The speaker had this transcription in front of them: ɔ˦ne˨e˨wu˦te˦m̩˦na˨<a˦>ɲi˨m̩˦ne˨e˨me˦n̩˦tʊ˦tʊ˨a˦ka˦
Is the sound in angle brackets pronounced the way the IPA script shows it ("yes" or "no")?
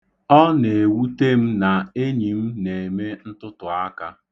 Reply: no